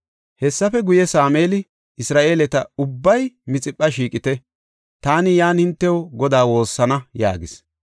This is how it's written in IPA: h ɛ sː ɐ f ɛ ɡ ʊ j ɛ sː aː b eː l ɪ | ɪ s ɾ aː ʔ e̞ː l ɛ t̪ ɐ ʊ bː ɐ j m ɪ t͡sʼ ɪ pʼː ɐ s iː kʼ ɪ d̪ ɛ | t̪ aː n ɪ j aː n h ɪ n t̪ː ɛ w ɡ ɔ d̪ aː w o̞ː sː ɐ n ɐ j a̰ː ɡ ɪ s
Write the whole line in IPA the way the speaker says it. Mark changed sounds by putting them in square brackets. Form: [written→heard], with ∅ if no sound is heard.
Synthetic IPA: h ɛ sː ɐ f ɛ ɡ ʊ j ɛ [sː→s] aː [b→m] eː l ɪ | ɪ s ɾ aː ʔ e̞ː l ɛ t̪ ɐ ʊ bː ɐ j m ɪ t͡sʼ ɪ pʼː ɐ [s→ʃ] iː kʼ ɪ [d̪→t̪] ɛ | t̪ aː n ɪ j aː n h ɪ n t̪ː ɛ w ɡ ɔ d̪ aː w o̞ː sː ɐ n ɐ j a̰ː ɡ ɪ s